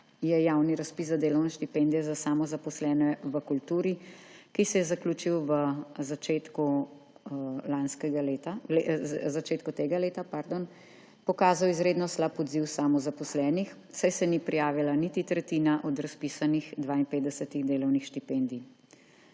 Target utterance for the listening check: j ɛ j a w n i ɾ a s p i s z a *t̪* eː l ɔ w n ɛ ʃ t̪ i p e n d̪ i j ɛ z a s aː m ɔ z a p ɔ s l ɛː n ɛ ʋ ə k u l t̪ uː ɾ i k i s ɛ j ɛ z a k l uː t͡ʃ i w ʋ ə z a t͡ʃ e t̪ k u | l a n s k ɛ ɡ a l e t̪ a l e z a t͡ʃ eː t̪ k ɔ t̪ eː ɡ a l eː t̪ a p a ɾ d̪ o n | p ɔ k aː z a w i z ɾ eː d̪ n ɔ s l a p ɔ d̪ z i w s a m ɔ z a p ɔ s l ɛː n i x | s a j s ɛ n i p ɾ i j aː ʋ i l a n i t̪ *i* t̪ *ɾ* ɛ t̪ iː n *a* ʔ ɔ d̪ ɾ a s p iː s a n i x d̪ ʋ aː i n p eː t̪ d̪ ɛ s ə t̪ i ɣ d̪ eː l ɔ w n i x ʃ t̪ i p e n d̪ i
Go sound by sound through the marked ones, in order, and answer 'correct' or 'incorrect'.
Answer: incorrect: d̪, correct, correct, correct

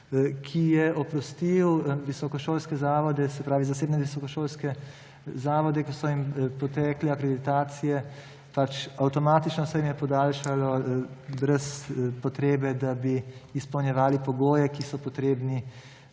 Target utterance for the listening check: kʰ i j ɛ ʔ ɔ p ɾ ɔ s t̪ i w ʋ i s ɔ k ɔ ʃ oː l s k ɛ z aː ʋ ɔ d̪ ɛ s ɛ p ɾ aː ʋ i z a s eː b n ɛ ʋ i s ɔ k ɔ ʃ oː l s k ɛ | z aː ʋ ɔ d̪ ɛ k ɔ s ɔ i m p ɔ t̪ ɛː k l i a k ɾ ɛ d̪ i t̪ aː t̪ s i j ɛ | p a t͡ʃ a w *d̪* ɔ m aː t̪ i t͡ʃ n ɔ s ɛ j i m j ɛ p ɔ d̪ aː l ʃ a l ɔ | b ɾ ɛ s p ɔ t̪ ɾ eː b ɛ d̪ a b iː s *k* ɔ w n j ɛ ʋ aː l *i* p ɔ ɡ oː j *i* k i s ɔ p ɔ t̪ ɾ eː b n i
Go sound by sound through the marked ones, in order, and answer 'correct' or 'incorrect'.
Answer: incorrect: t̪, incorrect: p, correct, incorrect: ɛ

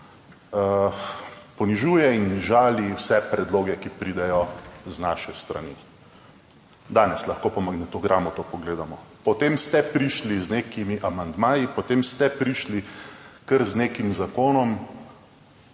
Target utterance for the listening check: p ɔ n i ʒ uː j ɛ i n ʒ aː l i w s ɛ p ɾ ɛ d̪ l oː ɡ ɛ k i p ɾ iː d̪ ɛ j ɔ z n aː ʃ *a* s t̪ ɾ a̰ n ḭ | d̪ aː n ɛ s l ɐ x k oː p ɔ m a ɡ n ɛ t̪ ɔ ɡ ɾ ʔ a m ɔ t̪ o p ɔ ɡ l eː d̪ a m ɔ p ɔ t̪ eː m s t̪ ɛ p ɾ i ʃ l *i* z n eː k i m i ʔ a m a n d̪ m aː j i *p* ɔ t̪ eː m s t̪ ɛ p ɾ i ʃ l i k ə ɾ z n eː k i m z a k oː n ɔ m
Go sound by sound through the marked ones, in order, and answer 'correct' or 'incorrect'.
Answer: incorrect: ɛ, correct, correct

